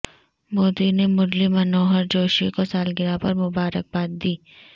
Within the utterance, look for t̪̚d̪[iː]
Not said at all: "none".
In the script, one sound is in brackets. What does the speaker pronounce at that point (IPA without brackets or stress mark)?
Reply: iː